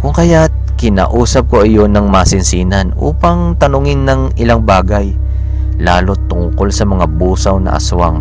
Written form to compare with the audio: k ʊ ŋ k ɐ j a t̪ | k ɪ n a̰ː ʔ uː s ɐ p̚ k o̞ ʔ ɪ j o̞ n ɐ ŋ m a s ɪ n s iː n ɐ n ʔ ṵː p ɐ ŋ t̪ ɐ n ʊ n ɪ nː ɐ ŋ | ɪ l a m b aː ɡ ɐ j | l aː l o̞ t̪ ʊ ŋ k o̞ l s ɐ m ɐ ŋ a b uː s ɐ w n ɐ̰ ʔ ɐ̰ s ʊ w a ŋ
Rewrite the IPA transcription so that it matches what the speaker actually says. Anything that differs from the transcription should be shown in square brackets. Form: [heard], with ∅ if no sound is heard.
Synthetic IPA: k ʊ ŋ k ɐ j a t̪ | k ɪ n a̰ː ʔ uː s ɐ p̚ k o̞ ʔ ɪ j o̞ n ɐ ŋ m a s ɪ n s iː n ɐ n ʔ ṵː p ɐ ŋ t̪ ɐ n ʊ [ŋ] ɪ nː ɐ ŋ | ɪ l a [ŋ] b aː ɡ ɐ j | l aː l o̞ t̪ ʊ ŋ k o̞ l s ɐ m ɐ ŋ a b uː s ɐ w n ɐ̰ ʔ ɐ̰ s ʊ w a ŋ